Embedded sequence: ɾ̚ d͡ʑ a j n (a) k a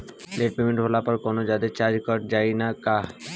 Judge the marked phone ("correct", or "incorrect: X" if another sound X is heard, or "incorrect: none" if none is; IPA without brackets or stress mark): correct